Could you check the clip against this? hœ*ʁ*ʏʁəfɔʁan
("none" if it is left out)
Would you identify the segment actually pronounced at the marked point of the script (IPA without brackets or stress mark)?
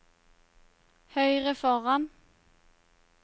none